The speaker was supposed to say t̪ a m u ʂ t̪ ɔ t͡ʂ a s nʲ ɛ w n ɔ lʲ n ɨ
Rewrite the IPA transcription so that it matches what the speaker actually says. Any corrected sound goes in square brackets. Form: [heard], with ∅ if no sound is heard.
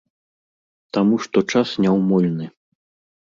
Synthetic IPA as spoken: t̪ a m u ʂ t̪ ɔ t͡ʂ a s nʲ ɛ w [m] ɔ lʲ n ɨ